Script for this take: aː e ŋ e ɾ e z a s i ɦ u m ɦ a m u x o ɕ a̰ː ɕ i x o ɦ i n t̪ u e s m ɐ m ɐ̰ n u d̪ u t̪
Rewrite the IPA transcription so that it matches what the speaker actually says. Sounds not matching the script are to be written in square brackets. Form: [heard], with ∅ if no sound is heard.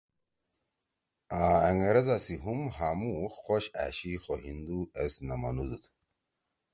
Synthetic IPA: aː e ŋ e ɾ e z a s i ɦ u m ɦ a m u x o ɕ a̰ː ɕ i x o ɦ i n [d̪] u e s [n] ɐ m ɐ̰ n u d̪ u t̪